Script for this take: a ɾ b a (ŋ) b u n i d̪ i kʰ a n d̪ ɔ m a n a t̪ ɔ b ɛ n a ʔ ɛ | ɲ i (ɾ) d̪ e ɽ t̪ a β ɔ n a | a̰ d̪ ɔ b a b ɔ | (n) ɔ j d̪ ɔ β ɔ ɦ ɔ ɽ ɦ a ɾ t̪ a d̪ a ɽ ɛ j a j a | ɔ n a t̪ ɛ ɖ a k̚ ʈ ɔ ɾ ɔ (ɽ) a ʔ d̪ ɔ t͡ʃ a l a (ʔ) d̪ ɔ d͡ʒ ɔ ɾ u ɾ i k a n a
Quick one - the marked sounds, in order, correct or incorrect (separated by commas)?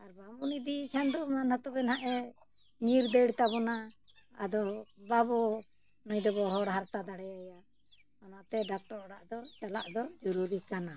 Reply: incorrect, correct, correct, correct, correct